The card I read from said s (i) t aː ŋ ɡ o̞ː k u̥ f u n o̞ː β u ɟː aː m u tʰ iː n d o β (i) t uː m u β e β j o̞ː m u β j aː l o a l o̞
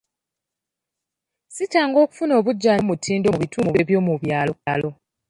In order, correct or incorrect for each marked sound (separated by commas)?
correct, correct